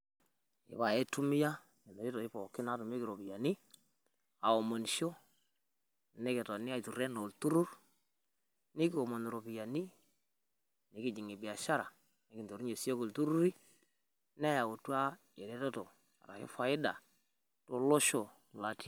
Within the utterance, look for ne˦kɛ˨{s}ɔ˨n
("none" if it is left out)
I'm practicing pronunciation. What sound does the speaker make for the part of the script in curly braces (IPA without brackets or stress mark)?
t